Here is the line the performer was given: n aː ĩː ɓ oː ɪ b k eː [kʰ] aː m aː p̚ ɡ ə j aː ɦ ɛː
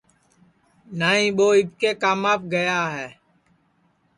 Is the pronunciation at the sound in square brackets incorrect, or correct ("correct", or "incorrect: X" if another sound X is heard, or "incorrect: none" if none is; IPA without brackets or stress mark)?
incorrect: k